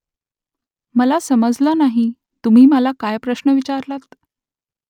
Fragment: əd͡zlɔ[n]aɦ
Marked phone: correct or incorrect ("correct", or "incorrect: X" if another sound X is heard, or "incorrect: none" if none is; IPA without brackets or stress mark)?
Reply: correct